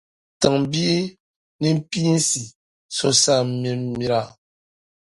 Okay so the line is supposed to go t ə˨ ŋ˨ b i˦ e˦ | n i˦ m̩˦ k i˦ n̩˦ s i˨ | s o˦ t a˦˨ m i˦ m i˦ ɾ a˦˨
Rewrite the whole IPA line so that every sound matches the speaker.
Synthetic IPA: t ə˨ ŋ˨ b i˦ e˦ | n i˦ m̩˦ p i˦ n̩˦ s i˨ | s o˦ s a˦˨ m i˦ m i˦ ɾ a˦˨